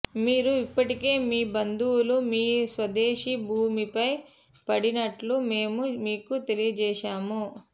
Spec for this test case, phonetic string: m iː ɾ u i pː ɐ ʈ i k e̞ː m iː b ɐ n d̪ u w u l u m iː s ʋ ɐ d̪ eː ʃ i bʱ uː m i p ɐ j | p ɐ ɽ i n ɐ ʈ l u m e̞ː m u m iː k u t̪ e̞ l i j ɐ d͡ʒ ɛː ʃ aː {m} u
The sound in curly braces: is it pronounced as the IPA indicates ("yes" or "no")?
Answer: yes